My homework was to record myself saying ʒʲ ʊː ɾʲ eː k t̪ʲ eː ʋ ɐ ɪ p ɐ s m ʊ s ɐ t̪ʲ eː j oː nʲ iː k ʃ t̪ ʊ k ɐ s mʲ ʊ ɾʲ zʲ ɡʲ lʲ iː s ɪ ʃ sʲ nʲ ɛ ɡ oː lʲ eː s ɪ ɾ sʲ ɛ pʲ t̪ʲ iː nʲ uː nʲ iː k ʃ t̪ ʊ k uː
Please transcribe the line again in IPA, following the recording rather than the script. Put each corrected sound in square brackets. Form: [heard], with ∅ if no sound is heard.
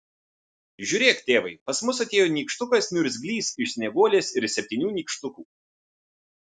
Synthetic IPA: ʒʲ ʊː ɾʲ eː k t̪ʲ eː ʋ ɐ ɪ p ɐ s m ʊ s ɐ t̪ʲ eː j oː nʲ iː k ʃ t̪ ʊ k ɐ s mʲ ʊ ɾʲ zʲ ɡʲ lʲ iː s ɪ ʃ sʲ nʲ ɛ ɡ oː lʲ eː s ɪ ɾ sʲ ɛ pʲ t̪ʲ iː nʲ uː nʲ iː k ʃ t̪ ʊ k uː

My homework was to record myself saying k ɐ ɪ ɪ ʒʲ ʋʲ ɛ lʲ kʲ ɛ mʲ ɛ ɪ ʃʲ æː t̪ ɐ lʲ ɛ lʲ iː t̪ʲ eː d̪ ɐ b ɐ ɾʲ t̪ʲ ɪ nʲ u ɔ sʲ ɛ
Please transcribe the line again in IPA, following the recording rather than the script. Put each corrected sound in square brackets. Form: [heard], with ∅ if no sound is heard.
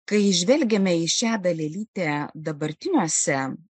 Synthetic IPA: k ɐ ɪ ɪ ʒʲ ʋʲ ɛ lʲ [ɡʲ] ɛ mʲ ɛ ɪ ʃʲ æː [d̪] ɐ lʲ ɛ lʲ iː t̪ʲ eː d̪ ɐ b ɐ ɾʲ t̪ʲ ɪ nʲ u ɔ sʲ ɛ

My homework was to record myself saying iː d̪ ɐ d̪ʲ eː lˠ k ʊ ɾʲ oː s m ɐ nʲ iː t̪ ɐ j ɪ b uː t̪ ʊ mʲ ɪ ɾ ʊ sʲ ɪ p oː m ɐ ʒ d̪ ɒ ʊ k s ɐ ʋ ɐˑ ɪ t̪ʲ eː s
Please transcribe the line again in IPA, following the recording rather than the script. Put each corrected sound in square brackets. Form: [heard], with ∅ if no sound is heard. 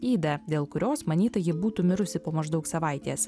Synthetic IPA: iː d̪ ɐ d̪ʲ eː lˠ k ʊ ɾʲ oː s m ɐ nʲ iː t̪ ɐ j ɪ b uː t̪ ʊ mʲ ɪ ɾ ʊ sʲ ɪ p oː m ɐ ʒ d̪ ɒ ʊ k s ɐ ʋ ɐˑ ɪ t̪ʲ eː s

